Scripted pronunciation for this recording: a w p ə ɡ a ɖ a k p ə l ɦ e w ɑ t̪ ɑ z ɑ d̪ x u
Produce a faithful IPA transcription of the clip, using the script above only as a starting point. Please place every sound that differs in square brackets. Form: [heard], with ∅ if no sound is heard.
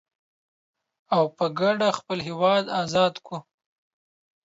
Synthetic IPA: a w p ə ɡ a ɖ a [x] p ə l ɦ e w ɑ [d̪] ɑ z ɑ d̪ [k] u